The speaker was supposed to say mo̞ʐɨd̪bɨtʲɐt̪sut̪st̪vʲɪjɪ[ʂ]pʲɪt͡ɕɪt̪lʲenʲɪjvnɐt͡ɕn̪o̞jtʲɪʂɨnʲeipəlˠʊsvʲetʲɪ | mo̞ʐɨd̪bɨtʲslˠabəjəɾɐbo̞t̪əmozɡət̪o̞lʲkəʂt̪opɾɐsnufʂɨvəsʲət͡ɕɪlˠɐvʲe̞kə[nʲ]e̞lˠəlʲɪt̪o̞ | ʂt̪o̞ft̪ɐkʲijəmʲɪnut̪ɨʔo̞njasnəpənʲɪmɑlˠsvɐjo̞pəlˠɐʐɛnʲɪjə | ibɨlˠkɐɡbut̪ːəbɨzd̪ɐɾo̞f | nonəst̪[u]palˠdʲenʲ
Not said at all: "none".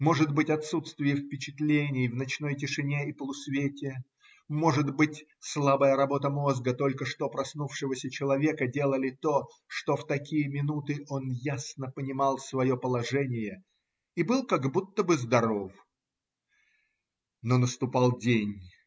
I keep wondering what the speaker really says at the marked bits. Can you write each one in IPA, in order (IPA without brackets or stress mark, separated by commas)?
f, dʲ, ʊ